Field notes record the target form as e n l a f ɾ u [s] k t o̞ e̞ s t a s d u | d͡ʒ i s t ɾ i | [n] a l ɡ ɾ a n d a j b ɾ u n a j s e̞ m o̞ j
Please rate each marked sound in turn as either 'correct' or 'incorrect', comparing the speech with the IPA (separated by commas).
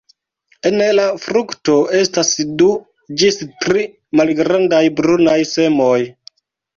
incorrect, incorrect